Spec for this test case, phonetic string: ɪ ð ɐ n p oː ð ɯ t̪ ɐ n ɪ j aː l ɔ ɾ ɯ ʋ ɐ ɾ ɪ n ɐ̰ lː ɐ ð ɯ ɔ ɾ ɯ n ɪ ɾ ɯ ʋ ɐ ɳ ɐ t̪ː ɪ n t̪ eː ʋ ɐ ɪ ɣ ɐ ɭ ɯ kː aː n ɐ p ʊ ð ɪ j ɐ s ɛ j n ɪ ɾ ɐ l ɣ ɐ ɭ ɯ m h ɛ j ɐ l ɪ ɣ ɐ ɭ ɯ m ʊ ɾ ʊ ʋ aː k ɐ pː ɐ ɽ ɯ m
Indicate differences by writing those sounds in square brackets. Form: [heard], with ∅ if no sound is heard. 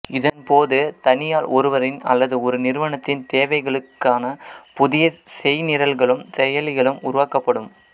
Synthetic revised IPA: ɪ ð ɐ n p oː ð ɯ t̪ ɐ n ɪ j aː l ɔ ɾ ɯ ʋ ɐ ɾ ɪ n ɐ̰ lː ɐ ð ɯ ɔ ɾ ɯ n ɪ ɾ ɯ ʋ ɐ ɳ ɐ t̪ː ɪ n t̪ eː ʋ ɐ ɪ ɣ ɐ ɭ ɯ kː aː n ɐ p ʊ ð ɪ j ɐ s ɛ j n ɪ ɾ ɐ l ɣ ɐ ɭ ɯ m [s] ɛ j ɐ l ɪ ɣ ɐ ɭ ɯ m ʊ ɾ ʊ ʋ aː k ɐ pː ɐ ɽ ɯ m